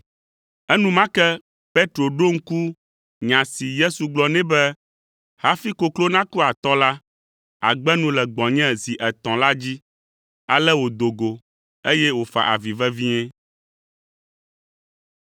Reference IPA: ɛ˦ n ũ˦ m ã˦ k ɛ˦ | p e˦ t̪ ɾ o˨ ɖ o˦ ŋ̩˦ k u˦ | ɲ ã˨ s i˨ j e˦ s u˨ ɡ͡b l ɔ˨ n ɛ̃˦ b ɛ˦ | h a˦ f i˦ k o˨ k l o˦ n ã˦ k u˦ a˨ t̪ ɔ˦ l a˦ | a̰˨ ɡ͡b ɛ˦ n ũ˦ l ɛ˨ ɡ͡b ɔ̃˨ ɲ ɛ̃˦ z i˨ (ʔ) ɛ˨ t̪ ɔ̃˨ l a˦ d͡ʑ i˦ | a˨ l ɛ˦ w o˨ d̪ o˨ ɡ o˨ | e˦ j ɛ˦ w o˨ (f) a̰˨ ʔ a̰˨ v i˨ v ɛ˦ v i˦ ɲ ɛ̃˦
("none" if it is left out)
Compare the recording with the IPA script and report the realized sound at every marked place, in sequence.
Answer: ʔ, f

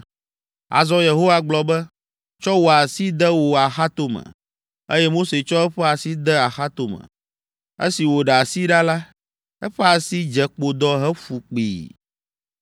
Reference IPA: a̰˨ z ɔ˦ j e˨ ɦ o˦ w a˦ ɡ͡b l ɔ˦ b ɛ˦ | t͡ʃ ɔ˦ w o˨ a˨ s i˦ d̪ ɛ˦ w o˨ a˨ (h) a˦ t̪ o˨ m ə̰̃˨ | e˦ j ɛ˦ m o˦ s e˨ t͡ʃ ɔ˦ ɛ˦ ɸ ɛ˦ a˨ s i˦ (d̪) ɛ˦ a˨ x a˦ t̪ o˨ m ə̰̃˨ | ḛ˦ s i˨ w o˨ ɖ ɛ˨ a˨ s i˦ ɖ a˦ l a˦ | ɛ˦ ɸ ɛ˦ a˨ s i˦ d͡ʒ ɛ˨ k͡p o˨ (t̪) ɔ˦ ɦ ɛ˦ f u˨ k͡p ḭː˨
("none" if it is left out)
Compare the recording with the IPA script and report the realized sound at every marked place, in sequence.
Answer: x, d̪, d̪

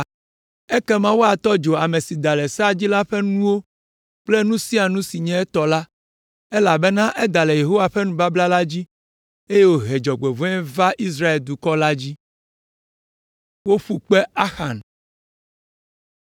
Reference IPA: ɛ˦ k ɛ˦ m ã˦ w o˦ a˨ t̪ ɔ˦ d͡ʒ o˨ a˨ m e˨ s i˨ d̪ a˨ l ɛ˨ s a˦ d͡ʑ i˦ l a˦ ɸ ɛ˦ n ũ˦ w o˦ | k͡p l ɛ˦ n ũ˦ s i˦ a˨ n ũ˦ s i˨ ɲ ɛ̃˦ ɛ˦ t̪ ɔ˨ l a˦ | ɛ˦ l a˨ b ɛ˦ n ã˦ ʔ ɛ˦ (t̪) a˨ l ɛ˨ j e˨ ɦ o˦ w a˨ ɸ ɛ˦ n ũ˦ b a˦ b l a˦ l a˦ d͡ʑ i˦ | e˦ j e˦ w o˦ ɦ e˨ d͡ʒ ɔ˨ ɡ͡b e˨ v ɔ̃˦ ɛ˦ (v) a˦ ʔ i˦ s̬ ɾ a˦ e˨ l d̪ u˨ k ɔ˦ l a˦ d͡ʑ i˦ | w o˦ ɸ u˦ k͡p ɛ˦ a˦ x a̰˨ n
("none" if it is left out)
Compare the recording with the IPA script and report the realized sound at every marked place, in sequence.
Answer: d̪, v

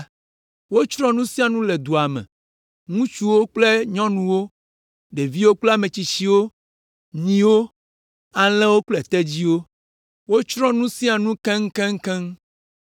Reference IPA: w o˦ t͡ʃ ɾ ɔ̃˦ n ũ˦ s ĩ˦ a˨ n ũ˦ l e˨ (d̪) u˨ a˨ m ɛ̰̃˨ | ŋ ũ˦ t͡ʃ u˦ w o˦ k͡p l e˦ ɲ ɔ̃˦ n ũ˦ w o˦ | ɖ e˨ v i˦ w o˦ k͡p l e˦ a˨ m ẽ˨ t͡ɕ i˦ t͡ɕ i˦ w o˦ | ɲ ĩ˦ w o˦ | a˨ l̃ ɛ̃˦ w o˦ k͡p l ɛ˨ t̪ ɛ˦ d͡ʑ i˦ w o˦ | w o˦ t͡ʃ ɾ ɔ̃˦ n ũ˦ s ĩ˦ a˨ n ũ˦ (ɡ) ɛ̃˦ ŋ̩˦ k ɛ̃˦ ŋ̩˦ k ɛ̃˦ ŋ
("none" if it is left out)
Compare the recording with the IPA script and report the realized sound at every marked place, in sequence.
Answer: d̪, k

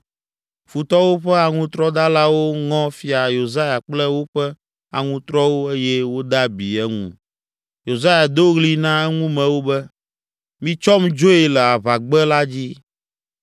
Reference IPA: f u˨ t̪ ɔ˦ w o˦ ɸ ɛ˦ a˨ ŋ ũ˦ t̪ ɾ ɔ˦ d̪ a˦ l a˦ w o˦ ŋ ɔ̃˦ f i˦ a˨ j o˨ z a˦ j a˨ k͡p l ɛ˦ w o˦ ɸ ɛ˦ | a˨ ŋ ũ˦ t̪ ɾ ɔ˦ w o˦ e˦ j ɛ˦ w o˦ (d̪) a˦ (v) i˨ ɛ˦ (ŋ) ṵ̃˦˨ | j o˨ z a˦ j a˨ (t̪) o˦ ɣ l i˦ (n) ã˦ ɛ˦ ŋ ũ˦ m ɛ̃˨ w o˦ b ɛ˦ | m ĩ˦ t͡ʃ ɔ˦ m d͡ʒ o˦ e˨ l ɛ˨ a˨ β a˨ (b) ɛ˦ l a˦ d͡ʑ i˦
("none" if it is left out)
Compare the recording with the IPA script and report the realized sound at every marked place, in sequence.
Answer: d̪, b, ŋ, d̪, n, ɡ͡b

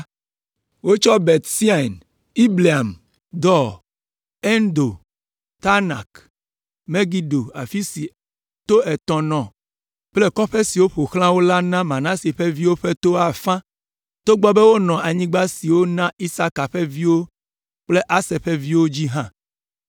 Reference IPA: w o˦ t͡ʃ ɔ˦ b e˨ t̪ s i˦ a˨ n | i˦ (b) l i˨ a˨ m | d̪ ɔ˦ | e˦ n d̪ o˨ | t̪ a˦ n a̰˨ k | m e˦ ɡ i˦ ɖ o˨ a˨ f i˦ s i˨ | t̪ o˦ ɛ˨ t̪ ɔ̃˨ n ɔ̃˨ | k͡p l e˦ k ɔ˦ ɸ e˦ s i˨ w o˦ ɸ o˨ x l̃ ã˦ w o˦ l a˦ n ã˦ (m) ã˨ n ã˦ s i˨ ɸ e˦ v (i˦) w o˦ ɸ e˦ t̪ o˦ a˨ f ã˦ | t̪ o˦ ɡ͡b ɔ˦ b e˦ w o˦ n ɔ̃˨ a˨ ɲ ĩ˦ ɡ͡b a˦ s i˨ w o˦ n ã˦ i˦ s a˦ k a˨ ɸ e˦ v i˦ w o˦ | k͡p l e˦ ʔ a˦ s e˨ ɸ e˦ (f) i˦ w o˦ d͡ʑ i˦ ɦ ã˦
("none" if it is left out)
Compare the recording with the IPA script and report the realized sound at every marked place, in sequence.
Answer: b, m, i˦, v

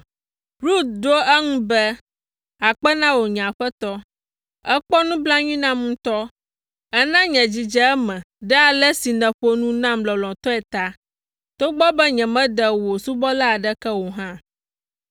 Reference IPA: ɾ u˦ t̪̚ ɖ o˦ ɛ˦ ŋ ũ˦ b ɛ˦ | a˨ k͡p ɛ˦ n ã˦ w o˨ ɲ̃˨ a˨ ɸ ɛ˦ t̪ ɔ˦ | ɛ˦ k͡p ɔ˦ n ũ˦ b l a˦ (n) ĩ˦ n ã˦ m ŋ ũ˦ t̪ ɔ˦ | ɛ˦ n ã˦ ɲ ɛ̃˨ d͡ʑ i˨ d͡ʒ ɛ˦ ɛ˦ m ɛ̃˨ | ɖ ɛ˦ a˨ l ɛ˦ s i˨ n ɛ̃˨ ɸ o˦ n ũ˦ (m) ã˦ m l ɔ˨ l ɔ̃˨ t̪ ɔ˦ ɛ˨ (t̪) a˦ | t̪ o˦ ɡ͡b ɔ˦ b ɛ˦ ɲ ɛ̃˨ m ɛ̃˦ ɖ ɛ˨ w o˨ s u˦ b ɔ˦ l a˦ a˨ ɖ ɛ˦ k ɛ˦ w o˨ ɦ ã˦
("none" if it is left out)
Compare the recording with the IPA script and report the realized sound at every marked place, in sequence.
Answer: ɲ, n, t̪

